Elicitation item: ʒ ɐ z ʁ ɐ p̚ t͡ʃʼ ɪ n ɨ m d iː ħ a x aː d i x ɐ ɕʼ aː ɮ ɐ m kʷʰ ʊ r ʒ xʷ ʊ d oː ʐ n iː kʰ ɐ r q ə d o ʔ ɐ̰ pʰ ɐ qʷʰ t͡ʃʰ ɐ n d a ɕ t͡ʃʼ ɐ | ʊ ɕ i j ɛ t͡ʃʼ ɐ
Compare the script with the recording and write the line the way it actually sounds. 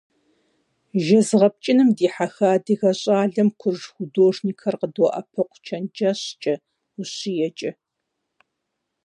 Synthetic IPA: ʒ ɐ z ʁ ɐ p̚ t͡ʃʼ ɪ n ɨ m d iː ħ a x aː d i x ɐ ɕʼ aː ɮ ɐ m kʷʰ ʊ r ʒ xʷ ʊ d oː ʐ n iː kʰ ɐ r q ə d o ʔ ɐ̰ pʰ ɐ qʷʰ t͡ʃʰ ɐ n d͡ʒ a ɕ t͡ʃʼ ɐ | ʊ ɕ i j ɛ t͡ʃʼ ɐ

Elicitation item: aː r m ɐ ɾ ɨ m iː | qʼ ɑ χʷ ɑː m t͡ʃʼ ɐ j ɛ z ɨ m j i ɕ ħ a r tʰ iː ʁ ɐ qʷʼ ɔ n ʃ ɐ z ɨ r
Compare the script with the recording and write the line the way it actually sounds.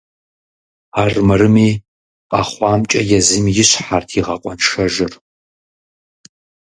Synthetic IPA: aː r m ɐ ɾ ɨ m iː | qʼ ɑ χʷ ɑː m t͡ʃʼ ɐ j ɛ z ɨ m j ɪ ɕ ħ a r tʰ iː ʁ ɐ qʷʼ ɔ n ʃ ɐ ʒ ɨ r

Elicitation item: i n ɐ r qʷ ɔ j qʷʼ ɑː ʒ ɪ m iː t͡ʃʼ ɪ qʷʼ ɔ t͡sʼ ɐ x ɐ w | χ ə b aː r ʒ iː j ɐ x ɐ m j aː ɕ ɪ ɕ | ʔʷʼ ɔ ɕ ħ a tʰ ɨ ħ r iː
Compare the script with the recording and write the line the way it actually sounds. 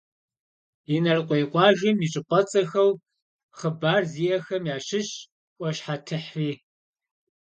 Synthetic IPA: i n ɐ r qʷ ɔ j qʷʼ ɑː ʒ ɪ m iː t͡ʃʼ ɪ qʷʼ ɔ t͡sʼ ɐ x ɐ w | χ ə b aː r z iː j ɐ x ɐ m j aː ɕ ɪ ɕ | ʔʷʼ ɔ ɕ ħ a tʰ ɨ ħ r iː

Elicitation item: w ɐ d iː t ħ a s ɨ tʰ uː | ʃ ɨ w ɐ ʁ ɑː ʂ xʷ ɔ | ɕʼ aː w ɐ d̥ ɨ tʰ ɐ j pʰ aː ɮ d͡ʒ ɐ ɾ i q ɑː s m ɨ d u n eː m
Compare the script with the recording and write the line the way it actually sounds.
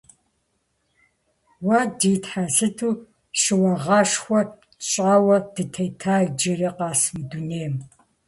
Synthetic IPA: w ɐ d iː t ħ a s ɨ tʰ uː | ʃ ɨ w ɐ ʁ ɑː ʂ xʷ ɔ | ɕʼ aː w ɐ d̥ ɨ tʰ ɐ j tʰ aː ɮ d͡ʒ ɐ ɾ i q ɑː s m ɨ d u n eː m

